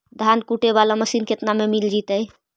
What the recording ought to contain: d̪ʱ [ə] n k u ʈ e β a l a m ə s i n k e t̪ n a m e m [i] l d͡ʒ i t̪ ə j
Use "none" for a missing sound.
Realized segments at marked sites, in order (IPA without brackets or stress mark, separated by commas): a, i